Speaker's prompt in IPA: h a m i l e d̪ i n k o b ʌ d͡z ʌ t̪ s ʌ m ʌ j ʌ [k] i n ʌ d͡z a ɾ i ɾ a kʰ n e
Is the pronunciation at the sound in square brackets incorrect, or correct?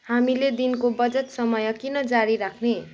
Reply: correct